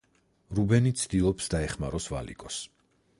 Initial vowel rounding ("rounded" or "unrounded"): rounded